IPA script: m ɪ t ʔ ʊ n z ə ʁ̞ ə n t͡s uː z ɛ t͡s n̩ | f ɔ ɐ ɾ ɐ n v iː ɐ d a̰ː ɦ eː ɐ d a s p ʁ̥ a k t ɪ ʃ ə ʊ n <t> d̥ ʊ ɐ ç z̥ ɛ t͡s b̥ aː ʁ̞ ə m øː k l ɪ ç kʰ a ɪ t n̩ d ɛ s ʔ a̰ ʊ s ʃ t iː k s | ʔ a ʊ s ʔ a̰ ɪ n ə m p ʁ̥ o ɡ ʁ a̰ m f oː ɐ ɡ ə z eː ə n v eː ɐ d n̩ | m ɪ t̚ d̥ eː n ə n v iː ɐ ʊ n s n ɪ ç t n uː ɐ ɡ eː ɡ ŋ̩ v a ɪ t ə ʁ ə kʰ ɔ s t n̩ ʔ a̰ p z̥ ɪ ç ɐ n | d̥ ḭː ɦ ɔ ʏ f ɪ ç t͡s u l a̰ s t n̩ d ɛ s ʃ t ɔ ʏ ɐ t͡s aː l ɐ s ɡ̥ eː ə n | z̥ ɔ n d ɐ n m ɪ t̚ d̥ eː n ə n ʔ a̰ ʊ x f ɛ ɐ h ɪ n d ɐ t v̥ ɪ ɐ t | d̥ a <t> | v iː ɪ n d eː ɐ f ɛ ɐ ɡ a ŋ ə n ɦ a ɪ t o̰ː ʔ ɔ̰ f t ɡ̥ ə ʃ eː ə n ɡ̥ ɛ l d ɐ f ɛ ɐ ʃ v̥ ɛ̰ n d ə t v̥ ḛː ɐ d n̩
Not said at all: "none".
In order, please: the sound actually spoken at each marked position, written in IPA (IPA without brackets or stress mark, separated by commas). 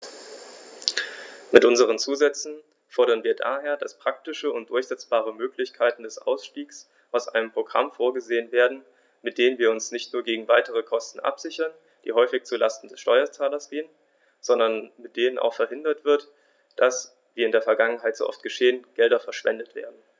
t, s